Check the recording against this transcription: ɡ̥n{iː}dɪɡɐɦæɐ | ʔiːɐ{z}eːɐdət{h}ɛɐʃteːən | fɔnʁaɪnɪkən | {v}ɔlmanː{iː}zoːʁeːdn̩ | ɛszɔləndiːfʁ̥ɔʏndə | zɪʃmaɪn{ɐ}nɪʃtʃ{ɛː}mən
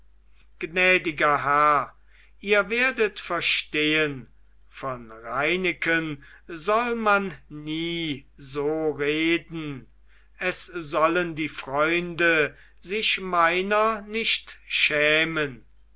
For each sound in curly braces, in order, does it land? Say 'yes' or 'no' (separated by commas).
no, no, no, no, yes, yes, yes